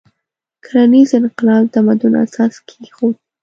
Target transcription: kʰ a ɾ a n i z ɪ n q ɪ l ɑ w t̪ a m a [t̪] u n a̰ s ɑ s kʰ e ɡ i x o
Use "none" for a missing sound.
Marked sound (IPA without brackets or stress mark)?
d̪